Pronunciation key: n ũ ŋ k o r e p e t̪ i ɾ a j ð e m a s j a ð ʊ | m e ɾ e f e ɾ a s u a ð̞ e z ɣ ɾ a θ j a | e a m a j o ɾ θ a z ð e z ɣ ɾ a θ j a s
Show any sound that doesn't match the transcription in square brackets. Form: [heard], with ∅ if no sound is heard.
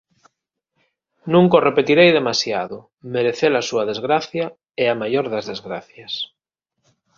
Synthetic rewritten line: n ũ ŋ k o r e p e t̪ i ɾ [e] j ð e m a s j a ð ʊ | m e ɾ e [θ] e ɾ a s u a ð̞ e z ɣ ɾ a θ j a | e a m a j o ɾ [ð] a z ð e z ɣ ɾ a θ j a s

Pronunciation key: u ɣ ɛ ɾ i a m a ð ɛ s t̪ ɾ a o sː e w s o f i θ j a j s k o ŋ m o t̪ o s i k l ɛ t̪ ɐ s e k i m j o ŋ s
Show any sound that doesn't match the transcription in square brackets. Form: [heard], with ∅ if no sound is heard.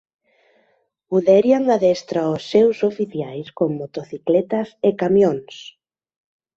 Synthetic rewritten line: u [ð] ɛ ɾ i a [ŋ] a ð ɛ s t̪ ɾ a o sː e w s o f i θ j a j s k o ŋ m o t̪ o [θ] i k l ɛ t̪ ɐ s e k [a] m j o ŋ s

